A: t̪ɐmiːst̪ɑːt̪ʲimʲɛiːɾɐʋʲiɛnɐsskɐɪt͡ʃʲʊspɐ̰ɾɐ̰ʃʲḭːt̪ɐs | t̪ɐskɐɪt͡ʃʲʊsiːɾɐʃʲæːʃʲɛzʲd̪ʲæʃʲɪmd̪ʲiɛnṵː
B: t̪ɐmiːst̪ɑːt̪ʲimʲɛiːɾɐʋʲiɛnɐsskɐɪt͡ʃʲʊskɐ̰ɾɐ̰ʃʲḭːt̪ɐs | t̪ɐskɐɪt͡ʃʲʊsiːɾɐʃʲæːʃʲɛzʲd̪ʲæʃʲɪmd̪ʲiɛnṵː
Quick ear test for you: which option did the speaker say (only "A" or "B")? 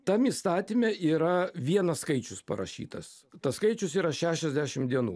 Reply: A